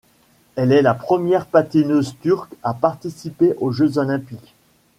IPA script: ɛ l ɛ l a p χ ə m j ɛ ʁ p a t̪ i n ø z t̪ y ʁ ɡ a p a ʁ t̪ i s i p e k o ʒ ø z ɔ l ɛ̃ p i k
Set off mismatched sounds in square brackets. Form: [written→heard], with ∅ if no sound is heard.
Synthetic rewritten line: ɛ l ɛ l a p χ ə m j ɛ ʁ p a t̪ i n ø z t̪ y ʁ [ɡ→k] a p a ʁ t̪ i s i p e [k→ʔ] o ʒ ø z ɔ l ɛ̃ p i k